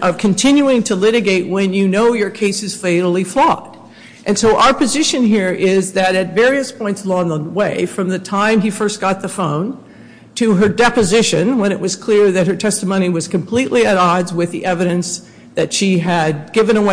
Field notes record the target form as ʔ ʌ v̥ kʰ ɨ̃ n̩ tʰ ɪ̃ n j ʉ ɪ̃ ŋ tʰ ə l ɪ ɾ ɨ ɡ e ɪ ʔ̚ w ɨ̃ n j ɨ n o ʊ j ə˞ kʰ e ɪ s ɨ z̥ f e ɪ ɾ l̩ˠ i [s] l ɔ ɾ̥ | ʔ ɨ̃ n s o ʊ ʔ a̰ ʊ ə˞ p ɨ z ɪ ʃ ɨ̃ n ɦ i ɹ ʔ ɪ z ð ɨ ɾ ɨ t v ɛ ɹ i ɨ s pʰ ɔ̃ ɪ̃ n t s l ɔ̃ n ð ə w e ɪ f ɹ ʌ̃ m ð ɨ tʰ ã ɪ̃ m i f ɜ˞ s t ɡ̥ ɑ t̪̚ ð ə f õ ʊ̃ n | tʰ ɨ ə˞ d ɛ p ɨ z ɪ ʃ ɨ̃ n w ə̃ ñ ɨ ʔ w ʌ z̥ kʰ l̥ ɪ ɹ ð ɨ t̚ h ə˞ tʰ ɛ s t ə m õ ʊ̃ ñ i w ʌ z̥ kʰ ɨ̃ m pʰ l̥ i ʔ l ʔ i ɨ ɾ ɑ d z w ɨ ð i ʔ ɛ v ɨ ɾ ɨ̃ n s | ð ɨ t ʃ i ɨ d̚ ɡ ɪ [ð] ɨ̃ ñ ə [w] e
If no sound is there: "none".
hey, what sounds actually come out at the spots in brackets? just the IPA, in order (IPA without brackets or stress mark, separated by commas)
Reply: f, v, w